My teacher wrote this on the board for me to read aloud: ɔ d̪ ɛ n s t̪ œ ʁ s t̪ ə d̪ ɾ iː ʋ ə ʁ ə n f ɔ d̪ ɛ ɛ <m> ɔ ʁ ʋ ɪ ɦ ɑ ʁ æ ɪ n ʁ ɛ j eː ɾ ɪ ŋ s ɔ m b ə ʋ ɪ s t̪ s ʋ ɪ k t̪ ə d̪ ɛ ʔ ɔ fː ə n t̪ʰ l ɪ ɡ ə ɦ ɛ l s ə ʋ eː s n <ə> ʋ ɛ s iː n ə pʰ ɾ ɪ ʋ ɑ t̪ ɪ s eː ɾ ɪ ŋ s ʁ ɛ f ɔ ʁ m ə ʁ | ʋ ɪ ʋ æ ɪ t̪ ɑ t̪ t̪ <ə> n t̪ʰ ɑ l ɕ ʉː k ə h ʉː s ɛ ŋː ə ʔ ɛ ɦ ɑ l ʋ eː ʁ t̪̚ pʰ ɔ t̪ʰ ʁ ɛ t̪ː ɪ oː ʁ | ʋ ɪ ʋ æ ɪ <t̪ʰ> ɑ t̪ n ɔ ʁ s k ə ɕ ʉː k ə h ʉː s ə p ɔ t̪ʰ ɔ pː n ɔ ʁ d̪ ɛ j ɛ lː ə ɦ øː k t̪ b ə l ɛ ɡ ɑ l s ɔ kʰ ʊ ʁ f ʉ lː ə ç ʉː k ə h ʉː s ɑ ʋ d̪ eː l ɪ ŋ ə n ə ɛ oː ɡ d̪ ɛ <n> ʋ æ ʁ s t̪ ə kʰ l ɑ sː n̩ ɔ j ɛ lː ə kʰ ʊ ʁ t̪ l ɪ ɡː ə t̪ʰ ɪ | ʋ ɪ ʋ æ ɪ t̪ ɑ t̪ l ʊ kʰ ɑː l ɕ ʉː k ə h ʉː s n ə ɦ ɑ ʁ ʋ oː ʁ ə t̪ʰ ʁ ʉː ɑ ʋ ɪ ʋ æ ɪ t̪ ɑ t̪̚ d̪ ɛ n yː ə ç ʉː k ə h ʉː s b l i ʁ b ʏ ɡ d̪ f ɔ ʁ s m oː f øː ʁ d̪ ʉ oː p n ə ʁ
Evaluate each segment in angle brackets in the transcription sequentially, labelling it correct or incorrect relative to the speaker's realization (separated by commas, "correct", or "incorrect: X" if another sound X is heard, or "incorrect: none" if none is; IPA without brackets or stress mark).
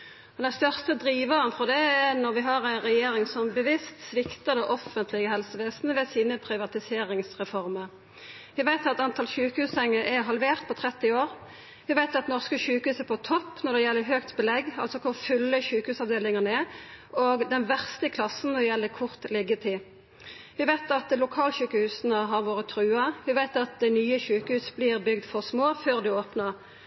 incorrect: n, correct, incorrect: ɑ, incorrect: t̪, correct